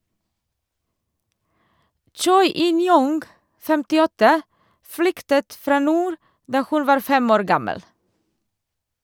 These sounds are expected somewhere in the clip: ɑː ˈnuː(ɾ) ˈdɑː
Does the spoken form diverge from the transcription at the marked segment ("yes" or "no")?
no